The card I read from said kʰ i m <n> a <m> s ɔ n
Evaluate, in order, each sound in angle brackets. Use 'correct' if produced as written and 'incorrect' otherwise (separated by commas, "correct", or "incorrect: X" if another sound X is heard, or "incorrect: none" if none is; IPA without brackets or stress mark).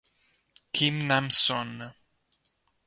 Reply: correct, correct